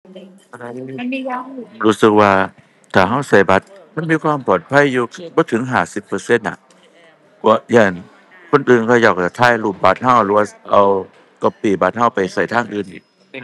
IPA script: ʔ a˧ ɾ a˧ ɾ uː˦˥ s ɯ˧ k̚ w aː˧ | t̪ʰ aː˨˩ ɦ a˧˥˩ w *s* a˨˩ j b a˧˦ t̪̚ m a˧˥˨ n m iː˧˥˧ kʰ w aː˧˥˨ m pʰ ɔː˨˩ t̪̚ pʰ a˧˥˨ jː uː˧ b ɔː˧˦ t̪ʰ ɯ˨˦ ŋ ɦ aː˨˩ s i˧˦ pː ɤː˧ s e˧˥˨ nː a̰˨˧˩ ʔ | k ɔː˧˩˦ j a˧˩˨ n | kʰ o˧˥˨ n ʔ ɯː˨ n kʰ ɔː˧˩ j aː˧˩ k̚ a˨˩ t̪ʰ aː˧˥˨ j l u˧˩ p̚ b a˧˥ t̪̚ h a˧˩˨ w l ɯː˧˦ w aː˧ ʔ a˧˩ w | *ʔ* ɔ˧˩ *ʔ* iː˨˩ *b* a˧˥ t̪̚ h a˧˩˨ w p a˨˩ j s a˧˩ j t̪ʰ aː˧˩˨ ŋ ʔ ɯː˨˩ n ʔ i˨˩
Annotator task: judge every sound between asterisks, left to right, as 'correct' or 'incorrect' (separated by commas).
correct, incorrect, incorrect, correct